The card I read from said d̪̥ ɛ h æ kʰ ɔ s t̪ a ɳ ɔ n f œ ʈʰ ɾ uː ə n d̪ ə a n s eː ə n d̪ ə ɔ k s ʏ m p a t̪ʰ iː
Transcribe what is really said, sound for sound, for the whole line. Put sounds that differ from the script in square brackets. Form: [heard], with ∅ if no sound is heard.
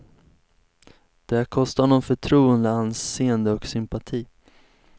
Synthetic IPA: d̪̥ ɛ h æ kʰ ɔ s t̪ a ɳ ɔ n f œ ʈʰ ɾ uː ə n d̪ ə a n s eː ə n d̪ ə ɔ k s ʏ m p a t̪ʰ iː